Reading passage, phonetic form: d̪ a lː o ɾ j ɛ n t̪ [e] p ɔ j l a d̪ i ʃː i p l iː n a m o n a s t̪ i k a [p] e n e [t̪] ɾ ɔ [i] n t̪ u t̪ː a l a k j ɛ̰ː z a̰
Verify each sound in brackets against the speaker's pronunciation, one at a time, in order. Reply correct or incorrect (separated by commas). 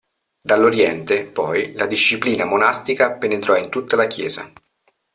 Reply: correct, correct, correct, correct